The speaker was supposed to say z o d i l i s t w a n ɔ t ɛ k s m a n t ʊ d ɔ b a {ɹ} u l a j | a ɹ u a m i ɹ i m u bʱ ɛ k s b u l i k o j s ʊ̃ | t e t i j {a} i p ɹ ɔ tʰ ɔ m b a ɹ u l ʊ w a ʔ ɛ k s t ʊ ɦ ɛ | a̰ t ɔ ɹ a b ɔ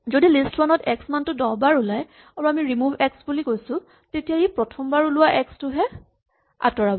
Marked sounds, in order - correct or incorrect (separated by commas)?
correct, correct